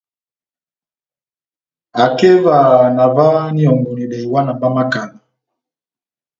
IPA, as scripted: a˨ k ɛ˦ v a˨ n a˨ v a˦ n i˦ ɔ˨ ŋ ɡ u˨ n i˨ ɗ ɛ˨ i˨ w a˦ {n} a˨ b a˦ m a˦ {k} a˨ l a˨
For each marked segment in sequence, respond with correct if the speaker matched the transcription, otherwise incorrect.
correct, correct

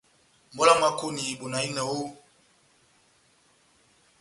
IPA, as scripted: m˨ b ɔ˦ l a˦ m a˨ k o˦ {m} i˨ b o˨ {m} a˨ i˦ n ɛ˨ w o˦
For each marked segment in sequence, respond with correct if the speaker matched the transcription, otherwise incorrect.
incorrect, incorrect

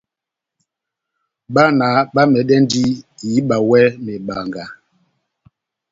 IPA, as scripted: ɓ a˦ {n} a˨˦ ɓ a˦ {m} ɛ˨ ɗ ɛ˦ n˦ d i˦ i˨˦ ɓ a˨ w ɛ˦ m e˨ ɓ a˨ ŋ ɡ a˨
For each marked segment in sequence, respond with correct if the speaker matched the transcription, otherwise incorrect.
correct, correct

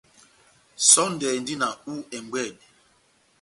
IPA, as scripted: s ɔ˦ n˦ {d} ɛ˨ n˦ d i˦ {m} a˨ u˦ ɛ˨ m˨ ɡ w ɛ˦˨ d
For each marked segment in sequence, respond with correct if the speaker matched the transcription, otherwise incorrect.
correct, incorrect

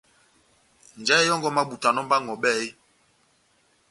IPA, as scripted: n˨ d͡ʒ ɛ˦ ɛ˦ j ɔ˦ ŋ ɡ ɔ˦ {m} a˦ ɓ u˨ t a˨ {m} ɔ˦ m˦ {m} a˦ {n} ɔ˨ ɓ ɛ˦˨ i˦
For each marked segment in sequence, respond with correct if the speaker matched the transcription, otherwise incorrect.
correct, incorrect, incorrect, incorrect

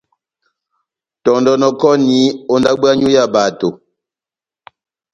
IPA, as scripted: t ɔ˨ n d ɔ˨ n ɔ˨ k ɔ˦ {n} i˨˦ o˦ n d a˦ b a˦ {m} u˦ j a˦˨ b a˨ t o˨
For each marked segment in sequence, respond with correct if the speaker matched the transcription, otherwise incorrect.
correct, incorrect

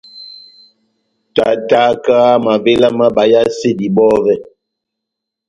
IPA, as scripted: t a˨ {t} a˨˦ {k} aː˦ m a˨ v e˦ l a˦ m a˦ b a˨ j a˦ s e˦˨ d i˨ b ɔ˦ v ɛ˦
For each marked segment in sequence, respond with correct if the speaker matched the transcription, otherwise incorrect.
correct, correct

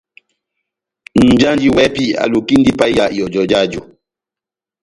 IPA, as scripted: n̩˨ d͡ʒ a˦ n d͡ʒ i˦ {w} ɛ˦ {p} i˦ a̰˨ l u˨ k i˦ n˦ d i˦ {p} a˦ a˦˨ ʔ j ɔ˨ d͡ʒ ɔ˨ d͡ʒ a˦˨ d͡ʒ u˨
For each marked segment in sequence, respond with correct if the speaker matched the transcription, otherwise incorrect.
correct, correct, correct

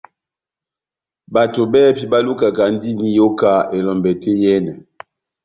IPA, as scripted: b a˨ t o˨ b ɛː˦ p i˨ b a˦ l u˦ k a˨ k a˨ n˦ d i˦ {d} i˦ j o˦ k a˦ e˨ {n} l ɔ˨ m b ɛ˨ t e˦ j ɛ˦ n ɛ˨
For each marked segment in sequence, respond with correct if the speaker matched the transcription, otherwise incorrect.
incorrect, incorrect

